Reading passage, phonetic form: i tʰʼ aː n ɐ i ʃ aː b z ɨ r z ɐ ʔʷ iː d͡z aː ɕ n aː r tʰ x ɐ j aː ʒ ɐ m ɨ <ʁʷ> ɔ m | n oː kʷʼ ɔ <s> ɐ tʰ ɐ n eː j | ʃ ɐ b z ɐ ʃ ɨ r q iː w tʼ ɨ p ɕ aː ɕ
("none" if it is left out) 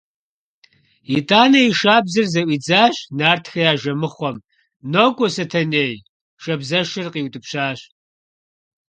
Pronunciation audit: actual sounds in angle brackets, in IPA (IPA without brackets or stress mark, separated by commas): χʷ, s